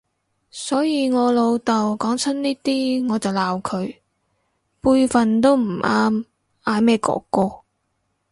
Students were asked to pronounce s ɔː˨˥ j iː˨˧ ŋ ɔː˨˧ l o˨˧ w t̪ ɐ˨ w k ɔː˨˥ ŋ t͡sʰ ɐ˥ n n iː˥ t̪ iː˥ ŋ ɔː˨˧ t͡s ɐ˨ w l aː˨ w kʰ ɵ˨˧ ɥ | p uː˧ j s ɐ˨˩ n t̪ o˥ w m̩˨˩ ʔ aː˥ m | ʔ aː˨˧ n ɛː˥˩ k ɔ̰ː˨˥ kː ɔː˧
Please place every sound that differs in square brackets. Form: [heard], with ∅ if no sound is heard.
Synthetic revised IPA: s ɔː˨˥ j iː˨˧ ŋ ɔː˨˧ l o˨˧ w t̪ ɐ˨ w k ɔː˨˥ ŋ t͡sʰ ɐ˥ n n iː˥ t̪ iː˥ ŋ ɔː˨˧ t͡s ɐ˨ w l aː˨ w kʰ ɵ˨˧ ɥ | p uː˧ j [f] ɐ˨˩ n t̪ o˥ w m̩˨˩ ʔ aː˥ m | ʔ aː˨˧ [m] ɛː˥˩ k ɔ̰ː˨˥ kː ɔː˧